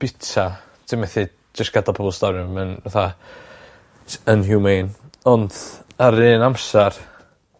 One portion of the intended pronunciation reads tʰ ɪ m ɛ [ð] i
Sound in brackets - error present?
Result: yes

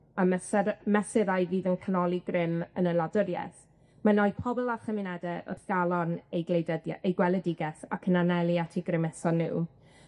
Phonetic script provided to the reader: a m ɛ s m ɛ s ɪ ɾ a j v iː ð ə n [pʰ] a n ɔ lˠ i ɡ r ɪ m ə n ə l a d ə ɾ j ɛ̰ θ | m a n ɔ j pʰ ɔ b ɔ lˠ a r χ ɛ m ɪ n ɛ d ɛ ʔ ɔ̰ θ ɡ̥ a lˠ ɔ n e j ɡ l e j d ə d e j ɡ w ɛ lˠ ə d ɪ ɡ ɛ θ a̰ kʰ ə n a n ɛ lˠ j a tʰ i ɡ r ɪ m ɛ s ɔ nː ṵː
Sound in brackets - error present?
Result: yes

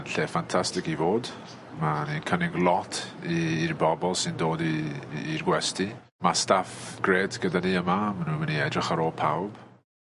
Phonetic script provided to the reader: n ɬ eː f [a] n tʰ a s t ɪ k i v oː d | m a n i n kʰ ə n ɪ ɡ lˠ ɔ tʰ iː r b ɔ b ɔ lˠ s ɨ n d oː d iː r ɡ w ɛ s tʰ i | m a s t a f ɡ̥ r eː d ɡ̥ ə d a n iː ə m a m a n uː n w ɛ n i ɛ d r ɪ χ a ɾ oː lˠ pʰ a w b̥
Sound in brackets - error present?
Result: no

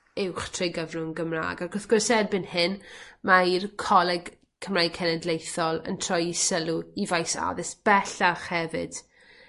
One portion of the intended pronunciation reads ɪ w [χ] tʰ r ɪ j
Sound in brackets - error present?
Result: no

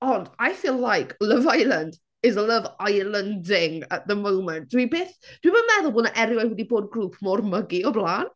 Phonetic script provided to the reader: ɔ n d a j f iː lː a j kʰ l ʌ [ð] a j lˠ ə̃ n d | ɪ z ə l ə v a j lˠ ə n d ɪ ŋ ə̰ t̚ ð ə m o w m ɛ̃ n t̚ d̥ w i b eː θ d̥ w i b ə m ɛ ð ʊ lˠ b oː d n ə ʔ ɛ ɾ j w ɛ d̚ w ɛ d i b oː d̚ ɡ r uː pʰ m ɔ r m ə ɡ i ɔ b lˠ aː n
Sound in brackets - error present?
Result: yes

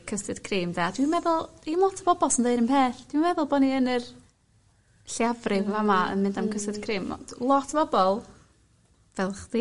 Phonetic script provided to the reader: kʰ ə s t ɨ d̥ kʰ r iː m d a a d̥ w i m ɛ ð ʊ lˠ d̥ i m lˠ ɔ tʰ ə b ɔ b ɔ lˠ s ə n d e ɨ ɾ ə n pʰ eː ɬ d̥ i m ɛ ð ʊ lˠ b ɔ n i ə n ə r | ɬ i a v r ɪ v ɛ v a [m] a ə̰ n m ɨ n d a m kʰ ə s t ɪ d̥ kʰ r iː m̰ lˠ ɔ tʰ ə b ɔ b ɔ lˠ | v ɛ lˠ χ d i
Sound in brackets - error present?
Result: no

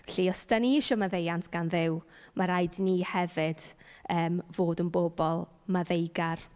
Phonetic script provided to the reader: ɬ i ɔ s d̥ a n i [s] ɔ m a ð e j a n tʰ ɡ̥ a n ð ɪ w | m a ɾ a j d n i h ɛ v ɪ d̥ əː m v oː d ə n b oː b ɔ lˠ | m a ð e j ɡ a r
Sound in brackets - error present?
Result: yes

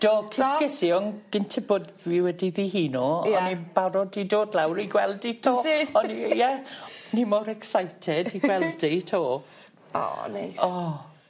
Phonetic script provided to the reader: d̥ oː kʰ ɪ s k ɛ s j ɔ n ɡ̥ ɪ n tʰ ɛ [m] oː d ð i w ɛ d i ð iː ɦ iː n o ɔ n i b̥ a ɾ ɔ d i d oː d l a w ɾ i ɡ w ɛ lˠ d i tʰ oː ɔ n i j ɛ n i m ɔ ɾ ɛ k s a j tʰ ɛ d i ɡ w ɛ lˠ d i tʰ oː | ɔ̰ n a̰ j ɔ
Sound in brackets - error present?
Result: yes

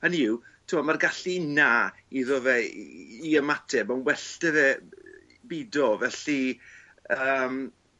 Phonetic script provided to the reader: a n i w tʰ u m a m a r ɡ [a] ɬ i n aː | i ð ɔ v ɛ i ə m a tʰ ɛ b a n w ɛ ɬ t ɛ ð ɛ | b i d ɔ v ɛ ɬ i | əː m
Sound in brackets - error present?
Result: no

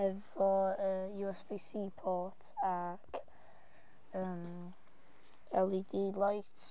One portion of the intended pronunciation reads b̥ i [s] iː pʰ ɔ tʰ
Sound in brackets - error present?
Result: no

